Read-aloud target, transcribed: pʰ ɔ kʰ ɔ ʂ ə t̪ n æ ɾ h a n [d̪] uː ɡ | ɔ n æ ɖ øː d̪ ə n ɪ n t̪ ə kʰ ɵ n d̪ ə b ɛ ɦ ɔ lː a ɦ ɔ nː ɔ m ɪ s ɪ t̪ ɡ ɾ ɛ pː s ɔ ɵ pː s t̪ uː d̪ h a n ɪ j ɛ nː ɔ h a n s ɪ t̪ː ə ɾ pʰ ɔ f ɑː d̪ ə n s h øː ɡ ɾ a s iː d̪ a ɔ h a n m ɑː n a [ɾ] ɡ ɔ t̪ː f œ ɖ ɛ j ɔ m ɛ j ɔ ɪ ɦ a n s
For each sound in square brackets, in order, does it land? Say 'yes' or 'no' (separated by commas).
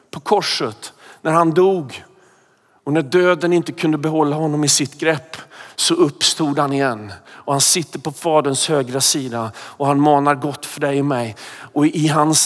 yes, yes